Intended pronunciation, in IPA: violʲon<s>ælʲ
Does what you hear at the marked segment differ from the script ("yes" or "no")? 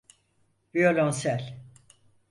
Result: no